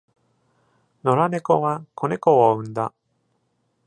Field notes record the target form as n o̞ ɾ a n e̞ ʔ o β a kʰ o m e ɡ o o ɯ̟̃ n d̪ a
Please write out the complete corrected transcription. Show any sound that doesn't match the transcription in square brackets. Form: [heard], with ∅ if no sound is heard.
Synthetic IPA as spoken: n o̞ ɾ a n e̞ [k] o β a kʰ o [n] e [k] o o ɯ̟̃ n d̪ a